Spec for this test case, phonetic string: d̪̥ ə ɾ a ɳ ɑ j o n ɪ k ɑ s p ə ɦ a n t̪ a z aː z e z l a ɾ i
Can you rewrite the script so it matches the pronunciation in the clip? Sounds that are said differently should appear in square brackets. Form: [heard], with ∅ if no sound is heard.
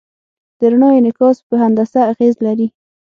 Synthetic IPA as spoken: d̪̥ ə ɾ a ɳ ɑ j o n ɪ k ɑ s p ə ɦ a n [d̪] a [s] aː [ɣ] e z l a ɾ i